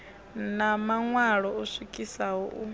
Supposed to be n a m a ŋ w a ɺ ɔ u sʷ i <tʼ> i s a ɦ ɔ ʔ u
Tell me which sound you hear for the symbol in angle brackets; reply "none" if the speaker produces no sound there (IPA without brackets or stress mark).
kʼ